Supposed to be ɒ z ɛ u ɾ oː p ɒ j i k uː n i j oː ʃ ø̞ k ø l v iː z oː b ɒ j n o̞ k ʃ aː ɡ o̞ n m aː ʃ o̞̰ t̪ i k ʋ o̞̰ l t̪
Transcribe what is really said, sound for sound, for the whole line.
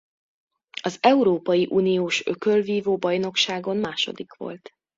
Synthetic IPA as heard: ɒ z ɛ u ɾ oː p ɒ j i ʔ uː n i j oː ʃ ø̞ k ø l v iː v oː b ɒ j n o̞ k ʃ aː ɡ o̞ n m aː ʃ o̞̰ d̪ i k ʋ o̞̰ l t̪